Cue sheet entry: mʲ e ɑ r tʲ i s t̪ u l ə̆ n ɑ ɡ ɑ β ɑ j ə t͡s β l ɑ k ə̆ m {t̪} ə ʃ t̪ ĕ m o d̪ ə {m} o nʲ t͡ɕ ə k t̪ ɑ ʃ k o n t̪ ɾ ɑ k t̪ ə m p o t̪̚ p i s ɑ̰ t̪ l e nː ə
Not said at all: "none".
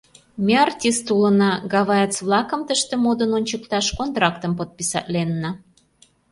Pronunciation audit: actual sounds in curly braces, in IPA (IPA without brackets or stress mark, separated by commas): t̪, n